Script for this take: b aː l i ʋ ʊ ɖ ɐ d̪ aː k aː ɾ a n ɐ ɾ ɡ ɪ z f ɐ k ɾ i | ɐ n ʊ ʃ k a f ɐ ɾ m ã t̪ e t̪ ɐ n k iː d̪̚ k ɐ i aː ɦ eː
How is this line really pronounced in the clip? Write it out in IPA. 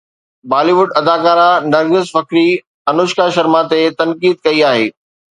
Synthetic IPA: b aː l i ʋ ʊ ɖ ɐ d̪ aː k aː ɾ a n ɐ ɾ ɡ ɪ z f ɐ k ɾ i | ɐ n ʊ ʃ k a ʃ ɐ ɾ m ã t̪ e t̪ ɐ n k iː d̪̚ k ɐ i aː ɦ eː